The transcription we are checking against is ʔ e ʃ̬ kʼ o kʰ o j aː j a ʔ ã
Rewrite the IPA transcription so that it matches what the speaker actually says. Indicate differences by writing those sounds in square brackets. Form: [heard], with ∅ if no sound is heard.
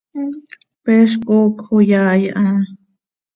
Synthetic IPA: [p] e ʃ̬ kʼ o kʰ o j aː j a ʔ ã